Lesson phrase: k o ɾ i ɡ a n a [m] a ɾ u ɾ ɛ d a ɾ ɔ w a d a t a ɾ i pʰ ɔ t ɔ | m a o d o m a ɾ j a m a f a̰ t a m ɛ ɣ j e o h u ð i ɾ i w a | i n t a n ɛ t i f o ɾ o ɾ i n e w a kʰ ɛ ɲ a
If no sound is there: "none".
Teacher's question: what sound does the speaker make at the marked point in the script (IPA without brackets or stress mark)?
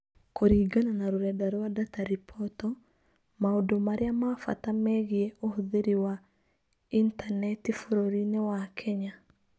n